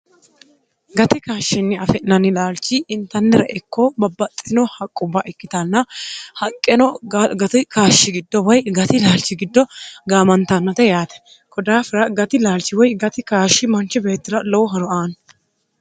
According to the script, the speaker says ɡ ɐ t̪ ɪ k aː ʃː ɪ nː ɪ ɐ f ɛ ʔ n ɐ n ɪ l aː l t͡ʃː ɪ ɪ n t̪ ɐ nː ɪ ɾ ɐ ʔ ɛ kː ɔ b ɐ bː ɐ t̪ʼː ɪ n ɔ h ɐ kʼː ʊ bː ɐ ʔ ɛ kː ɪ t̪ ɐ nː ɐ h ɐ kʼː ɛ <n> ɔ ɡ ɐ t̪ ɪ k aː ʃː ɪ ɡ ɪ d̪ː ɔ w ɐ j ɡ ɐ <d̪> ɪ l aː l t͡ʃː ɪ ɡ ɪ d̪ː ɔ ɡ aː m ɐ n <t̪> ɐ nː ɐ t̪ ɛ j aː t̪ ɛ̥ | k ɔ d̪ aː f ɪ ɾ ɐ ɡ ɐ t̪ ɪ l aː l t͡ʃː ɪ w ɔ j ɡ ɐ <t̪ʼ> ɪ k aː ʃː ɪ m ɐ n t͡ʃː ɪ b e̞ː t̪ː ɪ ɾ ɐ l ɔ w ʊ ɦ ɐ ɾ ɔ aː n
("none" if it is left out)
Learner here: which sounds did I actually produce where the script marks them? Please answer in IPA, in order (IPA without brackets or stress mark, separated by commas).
n, t̪, t̪, t̪